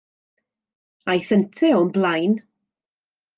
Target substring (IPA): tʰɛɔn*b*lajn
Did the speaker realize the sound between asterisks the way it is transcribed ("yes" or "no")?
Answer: yes